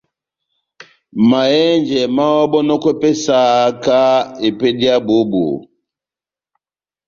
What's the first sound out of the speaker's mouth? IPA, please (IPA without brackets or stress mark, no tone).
m